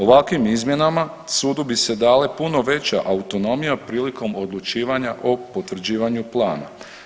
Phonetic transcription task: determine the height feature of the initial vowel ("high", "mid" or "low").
mid